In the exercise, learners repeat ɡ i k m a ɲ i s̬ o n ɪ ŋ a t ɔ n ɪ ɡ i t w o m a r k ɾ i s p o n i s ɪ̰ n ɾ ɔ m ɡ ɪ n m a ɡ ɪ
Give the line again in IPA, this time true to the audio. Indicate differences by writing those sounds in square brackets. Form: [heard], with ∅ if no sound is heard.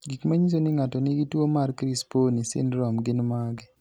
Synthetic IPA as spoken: ɡ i k m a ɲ i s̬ o n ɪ ŋ a t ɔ n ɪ ɡ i t w o m a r k ɾ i s p o n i s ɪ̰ n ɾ ɔ m ɡ ɪ n m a ɡ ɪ